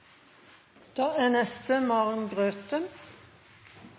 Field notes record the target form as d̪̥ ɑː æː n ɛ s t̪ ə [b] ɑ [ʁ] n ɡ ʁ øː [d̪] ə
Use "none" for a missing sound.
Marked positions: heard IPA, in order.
m, ʁ, t̪

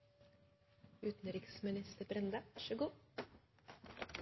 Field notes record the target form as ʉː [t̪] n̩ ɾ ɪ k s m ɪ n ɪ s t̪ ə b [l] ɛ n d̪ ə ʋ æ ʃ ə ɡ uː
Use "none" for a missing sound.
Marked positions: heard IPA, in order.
t̪, ɾ

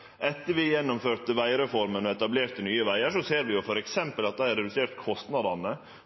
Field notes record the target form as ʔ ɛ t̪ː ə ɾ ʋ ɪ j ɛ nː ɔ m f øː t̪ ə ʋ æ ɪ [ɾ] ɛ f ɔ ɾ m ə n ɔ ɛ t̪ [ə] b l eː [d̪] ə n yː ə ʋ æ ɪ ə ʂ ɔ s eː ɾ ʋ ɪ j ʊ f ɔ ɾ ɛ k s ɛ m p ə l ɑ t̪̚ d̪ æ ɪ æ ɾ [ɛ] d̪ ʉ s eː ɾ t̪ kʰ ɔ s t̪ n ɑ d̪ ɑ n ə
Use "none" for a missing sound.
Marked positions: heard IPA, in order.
ɾ, ɑ, t̪, ɛ

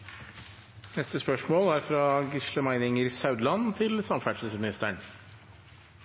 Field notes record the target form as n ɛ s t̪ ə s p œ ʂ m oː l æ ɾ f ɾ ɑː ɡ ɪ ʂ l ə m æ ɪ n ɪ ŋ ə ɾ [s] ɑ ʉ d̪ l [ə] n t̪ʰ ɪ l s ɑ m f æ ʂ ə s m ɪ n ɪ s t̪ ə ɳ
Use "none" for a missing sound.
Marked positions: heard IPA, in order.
s, ɑ

